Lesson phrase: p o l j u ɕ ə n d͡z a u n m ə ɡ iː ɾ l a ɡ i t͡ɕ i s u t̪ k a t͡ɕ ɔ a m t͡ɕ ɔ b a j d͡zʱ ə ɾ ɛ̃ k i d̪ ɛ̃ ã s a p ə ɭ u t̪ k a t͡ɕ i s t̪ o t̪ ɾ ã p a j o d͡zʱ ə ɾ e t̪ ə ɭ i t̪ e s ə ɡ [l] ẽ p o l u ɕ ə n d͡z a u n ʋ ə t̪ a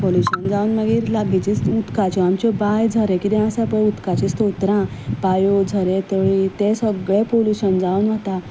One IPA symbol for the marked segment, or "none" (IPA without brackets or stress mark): ɭ